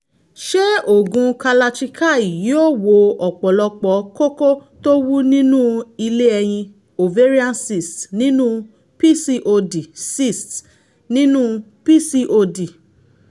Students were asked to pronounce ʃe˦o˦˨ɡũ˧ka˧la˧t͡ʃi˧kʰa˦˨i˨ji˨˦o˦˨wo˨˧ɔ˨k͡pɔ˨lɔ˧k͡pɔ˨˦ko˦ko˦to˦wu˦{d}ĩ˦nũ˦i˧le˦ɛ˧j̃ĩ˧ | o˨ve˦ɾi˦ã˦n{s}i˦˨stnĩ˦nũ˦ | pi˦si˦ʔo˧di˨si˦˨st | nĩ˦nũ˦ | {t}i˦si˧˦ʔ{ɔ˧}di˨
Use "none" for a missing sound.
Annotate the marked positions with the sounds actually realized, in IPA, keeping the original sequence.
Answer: n, s, p, o˧

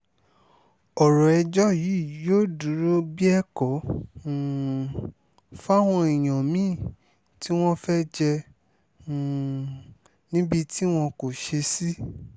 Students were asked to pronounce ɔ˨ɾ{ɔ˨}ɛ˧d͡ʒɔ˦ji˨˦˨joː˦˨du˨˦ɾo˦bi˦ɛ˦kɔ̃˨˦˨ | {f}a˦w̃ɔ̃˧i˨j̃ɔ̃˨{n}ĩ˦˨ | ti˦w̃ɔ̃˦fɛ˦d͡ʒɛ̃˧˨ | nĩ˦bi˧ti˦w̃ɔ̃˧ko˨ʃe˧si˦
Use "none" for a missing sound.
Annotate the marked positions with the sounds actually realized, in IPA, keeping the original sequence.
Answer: ɔ˨, f, m

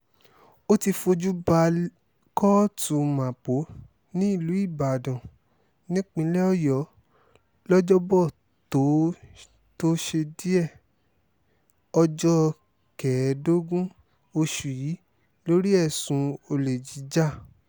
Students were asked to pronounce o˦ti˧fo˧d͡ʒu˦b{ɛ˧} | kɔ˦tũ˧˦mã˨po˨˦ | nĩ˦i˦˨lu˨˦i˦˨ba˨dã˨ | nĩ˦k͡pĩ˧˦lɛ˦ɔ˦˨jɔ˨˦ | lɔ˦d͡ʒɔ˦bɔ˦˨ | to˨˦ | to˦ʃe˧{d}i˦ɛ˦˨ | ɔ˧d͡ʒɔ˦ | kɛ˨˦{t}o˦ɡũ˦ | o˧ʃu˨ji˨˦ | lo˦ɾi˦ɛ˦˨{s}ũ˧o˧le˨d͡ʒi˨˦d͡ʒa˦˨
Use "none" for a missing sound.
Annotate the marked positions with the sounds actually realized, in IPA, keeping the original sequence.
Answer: a˧, d, d, s

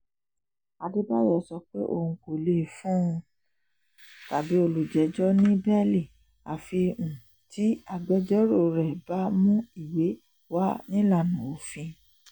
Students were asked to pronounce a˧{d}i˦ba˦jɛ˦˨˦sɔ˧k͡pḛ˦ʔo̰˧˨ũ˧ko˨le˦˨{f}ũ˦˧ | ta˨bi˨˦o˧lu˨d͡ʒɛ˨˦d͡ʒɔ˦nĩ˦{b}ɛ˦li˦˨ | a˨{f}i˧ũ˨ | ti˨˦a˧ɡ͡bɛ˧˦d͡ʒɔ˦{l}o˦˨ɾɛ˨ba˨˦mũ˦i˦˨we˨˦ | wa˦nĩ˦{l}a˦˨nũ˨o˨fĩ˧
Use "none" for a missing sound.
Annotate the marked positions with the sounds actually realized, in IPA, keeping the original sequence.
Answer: d, f, b, f, ɾ, l

